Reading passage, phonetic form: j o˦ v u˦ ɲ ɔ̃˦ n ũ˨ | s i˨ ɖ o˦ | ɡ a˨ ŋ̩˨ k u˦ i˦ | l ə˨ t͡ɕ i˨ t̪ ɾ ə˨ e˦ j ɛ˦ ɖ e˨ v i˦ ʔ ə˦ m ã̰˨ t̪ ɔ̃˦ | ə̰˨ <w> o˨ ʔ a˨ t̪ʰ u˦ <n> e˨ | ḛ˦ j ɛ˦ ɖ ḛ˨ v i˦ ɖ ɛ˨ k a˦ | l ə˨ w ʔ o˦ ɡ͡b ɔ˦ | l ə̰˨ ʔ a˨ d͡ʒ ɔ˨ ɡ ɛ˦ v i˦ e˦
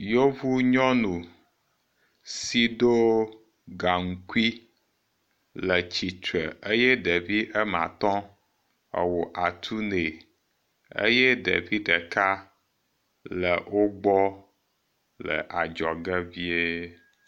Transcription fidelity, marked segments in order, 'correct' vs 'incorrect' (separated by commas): correct, correct